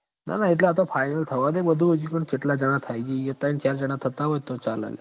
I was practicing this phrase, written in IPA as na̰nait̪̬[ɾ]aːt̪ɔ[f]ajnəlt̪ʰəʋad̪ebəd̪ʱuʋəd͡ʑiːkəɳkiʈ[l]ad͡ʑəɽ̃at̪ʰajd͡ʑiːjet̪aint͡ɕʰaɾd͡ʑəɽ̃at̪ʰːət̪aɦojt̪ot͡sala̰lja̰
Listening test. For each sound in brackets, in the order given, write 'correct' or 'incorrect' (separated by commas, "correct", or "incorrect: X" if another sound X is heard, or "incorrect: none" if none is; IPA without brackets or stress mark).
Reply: incorrect: l, correct, correct